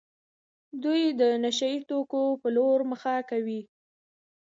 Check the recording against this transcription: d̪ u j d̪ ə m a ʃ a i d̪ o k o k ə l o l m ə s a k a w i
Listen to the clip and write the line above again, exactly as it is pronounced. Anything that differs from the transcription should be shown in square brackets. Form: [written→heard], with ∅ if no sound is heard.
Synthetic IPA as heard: d̪ u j d̪ ə [m→n] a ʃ a i [d̪→t̪] o k o [k→p] ə l o [l→ɾ] m ə [s→x] a k a w i